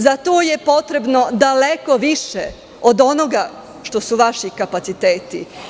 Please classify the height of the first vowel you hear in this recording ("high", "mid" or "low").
low